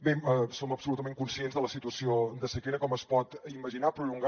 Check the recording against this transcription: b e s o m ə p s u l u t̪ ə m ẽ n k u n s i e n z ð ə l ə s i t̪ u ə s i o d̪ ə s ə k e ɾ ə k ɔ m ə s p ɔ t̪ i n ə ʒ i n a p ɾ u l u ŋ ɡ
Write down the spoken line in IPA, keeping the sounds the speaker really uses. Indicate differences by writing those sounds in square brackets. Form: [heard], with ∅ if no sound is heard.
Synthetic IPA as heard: b e s o m ə p s u l u t̪ ə m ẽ [ŋ] k u n s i e n z ð ə l ə s i t̪ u ə s i o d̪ ə s ə k e ɾ ə k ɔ m ə s p ɔ t̪ i [m] ə ʒ i n a p ɾ u l u ŋ ɡ